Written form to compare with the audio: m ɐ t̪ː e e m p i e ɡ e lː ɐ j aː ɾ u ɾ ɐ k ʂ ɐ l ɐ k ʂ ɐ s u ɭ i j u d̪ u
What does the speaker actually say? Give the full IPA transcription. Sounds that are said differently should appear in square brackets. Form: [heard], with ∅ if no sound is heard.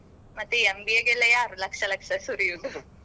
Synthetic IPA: m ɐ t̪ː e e m [b] i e ɡ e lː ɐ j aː ɾ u [l] ɐ k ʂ ɐ l ɐ k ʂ ɐ s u [ɾ] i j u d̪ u